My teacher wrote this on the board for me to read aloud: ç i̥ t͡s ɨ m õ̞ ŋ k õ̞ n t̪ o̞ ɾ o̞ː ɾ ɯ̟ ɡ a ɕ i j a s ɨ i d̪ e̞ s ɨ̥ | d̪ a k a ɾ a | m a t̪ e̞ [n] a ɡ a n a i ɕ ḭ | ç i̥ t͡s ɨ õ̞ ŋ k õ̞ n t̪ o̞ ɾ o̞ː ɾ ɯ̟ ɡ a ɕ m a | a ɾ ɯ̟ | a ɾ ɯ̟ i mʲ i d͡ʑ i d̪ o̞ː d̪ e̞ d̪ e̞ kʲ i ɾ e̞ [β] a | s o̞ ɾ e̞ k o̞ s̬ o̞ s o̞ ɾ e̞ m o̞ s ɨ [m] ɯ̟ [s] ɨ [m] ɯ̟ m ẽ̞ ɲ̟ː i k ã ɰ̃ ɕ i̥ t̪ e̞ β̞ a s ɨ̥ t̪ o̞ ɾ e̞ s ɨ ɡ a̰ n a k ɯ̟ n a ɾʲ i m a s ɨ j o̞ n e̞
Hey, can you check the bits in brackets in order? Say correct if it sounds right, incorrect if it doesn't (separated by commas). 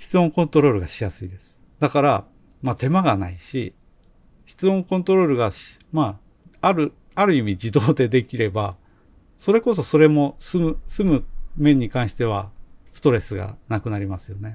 incorrect, incorrect, correct, correct, correct